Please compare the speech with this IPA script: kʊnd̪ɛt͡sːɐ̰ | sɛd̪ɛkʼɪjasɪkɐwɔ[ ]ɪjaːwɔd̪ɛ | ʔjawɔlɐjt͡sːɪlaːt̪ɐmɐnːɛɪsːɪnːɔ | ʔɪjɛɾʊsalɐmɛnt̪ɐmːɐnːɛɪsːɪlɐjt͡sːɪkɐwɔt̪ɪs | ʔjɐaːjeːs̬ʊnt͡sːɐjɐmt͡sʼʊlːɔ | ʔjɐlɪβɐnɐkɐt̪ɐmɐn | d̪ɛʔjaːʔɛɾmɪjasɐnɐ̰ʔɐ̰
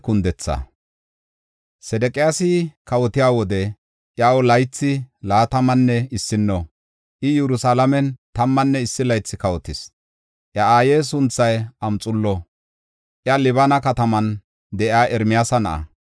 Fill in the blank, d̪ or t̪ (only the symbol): t̪